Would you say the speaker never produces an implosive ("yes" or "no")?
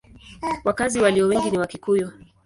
yes